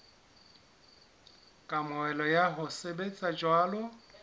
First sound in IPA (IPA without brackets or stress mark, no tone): kʼ